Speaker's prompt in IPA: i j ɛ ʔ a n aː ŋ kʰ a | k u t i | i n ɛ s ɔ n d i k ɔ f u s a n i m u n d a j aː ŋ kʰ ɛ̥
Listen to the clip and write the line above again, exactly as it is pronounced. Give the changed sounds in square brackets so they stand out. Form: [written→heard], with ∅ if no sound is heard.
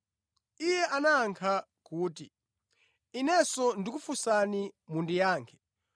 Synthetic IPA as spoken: i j ɛ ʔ a n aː ŋ kʰ a | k [u→uː] t i | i n ɛ s ɔ n d i k [ɔ→u] f u s a n i m u n d [a→i] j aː ŋ kʰ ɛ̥